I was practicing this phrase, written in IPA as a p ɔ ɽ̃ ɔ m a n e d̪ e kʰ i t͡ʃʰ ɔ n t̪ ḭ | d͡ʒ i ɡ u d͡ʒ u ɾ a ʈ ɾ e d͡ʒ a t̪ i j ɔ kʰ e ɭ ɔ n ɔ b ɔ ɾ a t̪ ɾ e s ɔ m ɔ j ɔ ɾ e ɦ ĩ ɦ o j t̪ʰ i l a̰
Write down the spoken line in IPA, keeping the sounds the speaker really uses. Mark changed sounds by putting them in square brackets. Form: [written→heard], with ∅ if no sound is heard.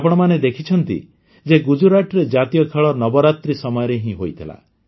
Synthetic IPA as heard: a p ɔ ɽ̃ ɔ m a n e d̪ e kʰ i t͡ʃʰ ɔ n t̪ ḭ | d͡ʒ [i→e] ɡ u d͡ʒ u ɾ a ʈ ɾ e d͡ʒ a t̪ i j ɔ kʰ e ɭ ɔ n ɔ b ɔ ɾ a t̪ ɾ [e→i] s ɔ m ɔ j ɔ ɾ e ɦ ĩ ɦ o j t̪ʰ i l a̰